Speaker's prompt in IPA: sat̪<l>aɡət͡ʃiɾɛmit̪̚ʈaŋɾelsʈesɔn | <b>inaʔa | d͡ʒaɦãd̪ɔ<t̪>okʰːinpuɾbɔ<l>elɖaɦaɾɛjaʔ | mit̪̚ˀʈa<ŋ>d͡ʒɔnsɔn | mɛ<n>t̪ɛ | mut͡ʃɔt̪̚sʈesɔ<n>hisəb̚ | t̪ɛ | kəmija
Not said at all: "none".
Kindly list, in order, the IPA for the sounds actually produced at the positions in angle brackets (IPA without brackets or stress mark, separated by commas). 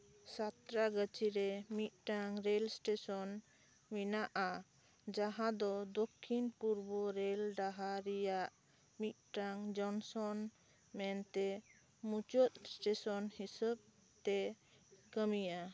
ɾ, m, d̪, ɾ, ŋ, n, n